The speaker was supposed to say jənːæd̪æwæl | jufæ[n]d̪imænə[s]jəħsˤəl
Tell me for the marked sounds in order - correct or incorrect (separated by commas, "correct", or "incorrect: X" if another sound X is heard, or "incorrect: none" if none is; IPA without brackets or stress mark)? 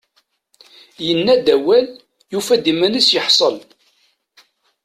incorrect: none, correct